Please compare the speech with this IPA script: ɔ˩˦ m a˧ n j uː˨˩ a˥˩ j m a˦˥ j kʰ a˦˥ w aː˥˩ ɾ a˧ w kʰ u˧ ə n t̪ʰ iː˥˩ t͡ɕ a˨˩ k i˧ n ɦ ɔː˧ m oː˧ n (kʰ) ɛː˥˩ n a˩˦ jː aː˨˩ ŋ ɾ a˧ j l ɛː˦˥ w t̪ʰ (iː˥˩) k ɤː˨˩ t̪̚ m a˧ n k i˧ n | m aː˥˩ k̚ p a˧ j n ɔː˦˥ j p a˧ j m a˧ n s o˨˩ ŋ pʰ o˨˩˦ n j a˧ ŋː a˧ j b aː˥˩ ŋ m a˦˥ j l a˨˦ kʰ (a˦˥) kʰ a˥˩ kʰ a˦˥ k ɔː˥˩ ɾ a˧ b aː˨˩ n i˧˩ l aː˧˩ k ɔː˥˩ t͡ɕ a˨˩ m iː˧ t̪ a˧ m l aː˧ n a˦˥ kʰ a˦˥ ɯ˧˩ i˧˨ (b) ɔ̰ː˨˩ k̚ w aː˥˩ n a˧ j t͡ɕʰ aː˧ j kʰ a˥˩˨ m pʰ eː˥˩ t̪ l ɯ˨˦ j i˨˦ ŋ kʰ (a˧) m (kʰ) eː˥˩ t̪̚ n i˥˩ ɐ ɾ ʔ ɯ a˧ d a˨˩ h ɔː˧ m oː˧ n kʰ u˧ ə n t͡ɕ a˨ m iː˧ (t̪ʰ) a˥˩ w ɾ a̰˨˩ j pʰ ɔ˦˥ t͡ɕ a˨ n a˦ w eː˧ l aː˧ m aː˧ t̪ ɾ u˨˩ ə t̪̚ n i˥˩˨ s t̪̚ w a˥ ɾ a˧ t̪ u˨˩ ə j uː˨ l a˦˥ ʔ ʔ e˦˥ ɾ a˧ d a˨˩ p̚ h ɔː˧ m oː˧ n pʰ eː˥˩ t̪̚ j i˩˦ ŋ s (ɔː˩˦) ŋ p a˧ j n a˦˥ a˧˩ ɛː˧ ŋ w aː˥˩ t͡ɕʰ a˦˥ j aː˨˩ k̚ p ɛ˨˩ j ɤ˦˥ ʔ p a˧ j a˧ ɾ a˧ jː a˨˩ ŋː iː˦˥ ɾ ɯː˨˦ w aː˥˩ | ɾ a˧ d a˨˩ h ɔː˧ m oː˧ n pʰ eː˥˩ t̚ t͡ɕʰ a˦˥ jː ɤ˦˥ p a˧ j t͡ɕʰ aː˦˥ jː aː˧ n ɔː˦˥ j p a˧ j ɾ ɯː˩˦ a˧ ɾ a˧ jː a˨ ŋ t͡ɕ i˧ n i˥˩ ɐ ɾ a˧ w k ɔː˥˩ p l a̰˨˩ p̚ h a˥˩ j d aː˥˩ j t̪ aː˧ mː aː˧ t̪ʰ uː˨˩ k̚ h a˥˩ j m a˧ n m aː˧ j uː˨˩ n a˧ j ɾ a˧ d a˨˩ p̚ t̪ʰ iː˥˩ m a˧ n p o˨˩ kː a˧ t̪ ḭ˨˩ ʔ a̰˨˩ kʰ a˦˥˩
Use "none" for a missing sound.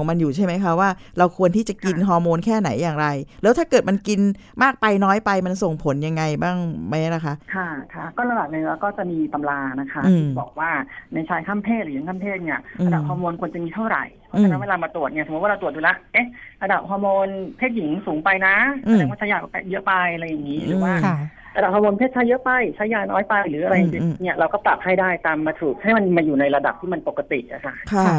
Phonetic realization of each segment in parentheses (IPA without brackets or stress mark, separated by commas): kʰ, aː˥˩, a˦˥, b, a˥˩, pʰ, t̪ʰ, uː˩˦